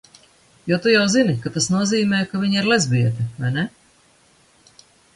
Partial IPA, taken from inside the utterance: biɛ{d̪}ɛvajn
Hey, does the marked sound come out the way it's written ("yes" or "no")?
no